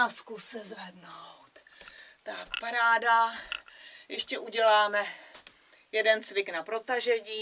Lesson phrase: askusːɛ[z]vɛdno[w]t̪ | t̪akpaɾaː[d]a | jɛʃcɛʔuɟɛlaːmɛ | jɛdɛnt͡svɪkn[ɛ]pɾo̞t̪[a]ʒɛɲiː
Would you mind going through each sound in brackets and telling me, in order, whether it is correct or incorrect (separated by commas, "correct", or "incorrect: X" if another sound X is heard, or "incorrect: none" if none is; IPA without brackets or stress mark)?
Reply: correct, correct, correct, incorrect: a, correct